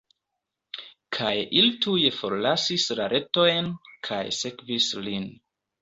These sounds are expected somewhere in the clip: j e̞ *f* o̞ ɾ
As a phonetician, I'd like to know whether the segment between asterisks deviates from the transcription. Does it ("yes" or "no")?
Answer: no